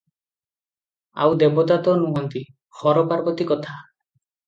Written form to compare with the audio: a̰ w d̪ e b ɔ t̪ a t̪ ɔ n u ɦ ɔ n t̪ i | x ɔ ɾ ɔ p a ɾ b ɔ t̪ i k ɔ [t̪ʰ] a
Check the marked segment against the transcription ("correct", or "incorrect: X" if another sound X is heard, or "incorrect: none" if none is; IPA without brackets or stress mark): correct